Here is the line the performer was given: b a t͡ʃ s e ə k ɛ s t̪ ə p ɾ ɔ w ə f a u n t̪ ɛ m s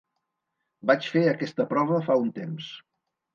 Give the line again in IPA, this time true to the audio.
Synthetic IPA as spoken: b a t͡ʃ f e ə k ɛ s t̪ ə p ɾ ɔ β ə f a u n t̪ e m s